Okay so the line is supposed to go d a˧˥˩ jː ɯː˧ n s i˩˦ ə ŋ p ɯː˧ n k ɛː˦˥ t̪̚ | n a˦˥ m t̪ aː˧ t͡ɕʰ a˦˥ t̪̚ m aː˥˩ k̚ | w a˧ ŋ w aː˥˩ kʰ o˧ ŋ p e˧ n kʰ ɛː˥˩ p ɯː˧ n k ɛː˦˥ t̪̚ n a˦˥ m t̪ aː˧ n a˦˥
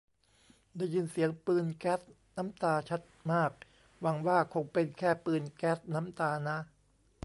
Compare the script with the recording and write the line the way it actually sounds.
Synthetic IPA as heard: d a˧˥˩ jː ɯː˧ n s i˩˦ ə ŋ p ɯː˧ n k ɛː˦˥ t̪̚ | n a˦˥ m t̪ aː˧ t͡ɕʰ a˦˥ t̪̚ m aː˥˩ k̚ | w a˧ ŋ w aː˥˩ kʰ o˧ ŋ p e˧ n kʰ ɛː˥˩ p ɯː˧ n k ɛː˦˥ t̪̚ n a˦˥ m t̪ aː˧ n a˦˥